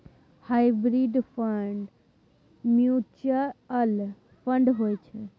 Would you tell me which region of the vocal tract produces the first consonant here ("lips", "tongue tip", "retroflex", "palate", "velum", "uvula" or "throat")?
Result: throat